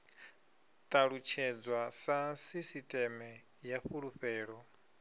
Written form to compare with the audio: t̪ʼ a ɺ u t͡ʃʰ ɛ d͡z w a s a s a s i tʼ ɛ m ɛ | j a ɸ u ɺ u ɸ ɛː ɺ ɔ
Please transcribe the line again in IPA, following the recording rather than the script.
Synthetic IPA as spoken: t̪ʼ a ɺ u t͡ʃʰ ɛ d͡z w a s a s i s i tʼ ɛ m ɛ | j a ɸ u ɺ u ɸ ɛː ɺ ɔ